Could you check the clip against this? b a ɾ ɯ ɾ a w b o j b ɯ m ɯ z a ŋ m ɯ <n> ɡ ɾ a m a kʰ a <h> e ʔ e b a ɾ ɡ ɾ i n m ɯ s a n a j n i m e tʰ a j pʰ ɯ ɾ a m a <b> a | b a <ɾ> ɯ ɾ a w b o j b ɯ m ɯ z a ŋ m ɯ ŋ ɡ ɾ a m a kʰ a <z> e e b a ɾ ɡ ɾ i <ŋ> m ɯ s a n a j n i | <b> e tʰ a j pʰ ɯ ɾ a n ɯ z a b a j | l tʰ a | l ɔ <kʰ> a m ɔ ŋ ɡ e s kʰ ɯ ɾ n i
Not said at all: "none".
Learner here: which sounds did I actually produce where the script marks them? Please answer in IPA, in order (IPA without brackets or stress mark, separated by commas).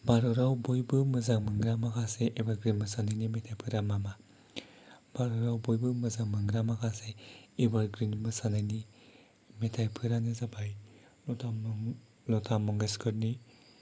ŋ, s, m, ɾ, s, n, m, tʰ